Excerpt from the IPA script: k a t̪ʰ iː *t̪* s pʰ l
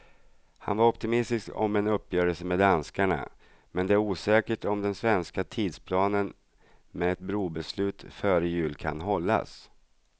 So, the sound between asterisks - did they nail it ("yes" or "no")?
no